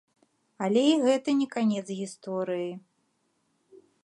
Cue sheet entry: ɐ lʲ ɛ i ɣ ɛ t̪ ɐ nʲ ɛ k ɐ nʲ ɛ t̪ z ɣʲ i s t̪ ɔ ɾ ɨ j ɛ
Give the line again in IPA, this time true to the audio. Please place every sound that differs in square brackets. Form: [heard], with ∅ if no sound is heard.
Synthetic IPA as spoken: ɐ lʲ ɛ i ɣ ɛ t̪ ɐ nʲ ɛ k [a] nʲ ɛ t̪ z ɣʲ i s t̪ ɔ ɾ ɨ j [i]